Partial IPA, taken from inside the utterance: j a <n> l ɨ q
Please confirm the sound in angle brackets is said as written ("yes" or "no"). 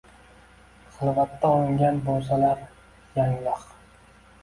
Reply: no